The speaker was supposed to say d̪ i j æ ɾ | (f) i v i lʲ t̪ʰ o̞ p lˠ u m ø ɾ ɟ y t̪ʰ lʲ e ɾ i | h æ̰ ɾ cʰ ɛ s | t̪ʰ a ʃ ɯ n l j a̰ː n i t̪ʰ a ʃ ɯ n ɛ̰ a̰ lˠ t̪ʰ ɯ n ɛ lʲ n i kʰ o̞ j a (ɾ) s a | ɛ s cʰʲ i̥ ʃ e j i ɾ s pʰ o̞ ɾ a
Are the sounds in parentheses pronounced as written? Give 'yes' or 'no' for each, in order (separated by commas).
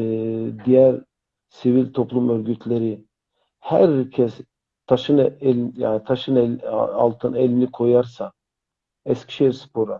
no, yes